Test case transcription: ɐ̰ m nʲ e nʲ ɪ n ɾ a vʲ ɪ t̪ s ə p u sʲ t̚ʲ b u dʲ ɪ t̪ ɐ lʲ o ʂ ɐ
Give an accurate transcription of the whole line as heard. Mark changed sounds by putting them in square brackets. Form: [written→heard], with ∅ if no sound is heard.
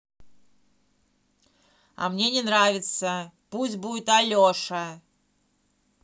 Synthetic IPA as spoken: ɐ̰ m nʲ e nʲ ɪ n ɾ a vʲ ɪ t̪ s ə p u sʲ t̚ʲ b u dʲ ɪ t̪ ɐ lʲ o ʂ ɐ